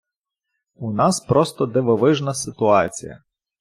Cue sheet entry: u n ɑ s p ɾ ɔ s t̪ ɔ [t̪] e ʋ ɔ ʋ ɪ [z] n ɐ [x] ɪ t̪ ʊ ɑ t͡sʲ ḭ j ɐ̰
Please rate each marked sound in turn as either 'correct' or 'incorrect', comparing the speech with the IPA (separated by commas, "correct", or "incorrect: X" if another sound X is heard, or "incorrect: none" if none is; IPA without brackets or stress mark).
incorrect: d̪, incorrect: ʒ, incorrect: s